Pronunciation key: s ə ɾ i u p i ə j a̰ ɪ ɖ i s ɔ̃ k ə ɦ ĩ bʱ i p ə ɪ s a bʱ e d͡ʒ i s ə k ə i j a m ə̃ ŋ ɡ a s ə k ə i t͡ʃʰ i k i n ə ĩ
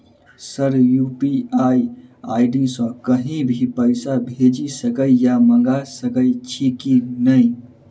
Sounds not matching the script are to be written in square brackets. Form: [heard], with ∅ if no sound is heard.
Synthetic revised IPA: s ə ɾ [j] u p i [a] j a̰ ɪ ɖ i s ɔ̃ k ə ɦ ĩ bʱ i p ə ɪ s a bʱ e d͡ʒ i s ə k ə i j a m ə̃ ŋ ɡ a s ə k ə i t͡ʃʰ i k i n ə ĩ